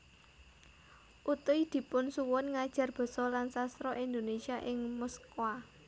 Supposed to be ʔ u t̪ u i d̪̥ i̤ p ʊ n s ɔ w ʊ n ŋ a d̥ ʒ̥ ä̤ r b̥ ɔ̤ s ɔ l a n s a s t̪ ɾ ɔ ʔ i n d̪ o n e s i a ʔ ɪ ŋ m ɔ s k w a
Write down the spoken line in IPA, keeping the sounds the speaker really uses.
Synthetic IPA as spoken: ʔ u t̪ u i d̪̥ i̤ p ʊ n s u w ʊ n ŋ a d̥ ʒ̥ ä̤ r b̥ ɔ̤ s ɔ l a n s a s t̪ ɾ ɔ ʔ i n d̪ o n e s i a ʔ ɪ ŋ m ɔ s k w a